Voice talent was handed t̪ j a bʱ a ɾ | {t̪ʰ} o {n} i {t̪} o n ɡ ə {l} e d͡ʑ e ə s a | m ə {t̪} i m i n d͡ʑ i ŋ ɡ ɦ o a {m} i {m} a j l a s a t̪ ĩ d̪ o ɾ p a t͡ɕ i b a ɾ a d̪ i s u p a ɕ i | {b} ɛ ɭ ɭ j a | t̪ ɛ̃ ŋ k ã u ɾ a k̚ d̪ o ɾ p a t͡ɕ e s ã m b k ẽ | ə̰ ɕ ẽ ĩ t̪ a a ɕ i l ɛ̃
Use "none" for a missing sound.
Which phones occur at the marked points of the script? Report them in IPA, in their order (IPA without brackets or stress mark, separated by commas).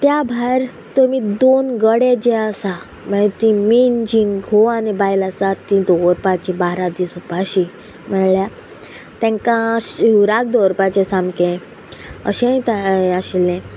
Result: t̪, m, d̪, ɽ, t̪, n, b, m